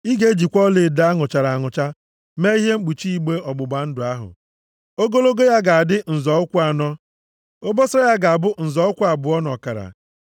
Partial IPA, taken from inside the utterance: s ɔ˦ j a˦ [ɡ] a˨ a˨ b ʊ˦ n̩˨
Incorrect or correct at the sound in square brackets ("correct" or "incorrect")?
correct